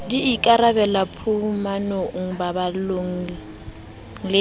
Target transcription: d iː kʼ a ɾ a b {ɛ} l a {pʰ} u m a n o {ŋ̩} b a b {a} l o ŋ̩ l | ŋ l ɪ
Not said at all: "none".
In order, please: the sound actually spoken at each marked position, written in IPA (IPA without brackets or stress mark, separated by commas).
ɛ, pʰ, ŋ̩, a